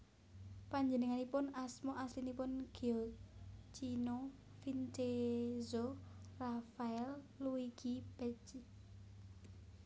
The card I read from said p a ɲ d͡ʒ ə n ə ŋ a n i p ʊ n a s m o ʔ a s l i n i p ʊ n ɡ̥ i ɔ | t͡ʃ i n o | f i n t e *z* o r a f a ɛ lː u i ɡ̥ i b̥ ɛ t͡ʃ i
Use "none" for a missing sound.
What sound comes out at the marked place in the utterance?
z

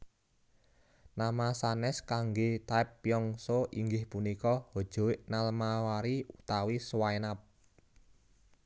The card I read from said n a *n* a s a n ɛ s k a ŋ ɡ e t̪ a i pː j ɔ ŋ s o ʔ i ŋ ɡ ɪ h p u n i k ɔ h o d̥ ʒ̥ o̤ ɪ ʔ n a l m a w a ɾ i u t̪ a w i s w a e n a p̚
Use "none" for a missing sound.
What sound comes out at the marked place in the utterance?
m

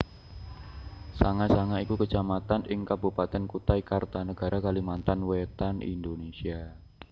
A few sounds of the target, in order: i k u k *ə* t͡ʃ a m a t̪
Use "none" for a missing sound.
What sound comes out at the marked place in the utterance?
ə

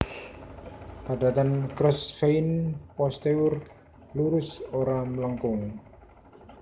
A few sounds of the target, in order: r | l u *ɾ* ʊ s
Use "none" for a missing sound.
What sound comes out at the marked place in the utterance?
ɾ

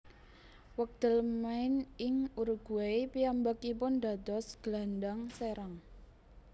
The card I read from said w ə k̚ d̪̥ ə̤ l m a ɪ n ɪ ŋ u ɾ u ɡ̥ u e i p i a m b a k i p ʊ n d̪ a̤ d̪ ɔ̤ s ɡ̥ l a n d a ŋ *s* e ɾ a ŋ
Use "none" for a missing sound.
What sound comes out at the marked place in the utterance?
s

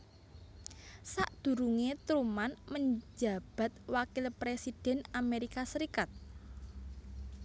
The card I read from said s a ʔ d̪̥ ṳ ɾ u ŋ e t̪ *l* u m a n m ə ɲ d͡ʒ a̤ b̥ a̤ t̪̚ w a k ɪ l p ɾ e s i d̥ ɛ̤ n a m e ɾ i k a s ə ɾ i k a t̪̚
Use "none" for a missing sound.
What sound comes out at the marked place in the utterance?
ɾ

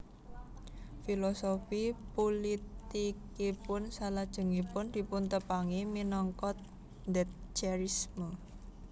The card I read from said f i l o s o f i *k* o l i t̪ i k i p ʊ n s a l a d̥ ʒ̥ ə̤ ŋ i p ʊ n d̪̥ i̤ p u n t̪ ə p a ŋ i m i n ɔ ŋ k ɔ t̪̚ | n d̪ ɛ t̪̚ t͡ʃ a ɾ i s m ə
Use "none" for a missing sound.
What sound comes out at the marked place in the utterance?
p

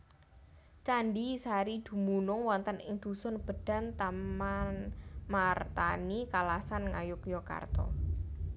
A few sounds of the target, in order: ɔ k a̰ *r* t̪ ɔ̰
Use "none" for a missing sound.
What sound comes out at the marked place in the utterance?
r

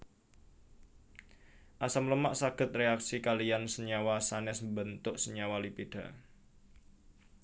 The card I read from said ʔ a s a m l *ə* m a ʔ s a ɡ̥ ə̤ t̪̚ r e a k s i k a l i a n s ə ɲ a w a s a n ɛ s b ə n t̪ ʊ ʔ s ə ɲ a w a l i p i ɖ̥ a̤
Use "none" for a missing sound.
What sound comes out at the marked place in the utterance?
ə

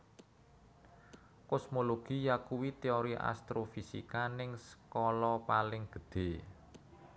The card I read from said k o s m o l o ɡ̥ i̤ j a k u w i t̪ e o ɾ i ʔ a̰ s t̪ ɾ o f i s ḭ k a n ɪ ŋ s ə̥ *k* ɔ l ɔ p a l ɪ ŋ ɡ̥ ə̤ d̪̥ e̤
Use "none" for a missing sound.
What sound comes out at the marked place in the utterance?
k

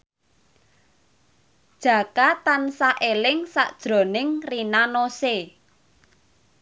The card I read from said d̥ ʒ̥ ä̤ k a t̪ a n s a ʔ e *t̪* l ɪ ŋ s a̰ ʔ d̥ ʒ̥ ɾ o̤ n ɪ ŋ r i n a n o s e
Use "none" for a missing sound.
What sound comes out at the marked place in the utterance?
none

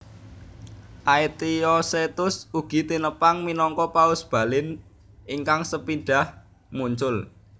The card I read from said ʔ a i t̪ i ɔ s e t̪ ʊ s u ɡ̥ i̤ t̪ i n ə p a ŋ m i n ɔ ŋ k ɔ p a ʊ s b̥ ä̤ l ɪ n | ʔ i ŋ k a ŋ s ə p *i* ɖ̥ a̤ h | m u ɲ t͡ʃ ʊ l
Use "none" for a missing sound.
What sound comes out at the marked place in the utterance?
i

